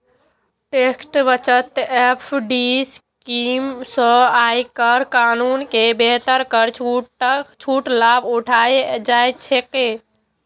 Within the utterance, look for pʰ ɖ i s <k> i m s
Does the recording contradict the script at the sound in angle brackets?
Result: no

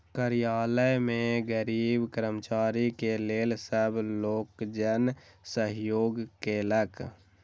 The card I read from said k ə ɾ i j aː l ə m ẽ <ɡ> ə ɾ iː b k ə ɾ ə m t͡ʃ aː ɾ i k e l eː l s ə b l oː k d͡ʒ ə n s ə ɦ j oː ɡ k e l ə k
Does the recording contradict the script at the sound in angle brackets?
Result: no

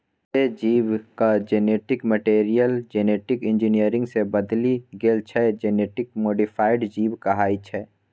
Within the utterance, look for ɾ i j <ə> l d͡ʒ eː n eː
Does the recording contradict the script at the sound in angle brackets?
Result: no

